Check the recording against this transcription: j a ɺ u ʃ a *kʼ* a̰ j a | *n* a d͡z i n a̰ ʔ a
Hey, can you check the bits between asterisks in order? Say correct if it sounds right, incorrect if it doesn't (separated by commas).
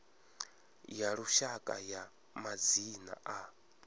correct, incorrect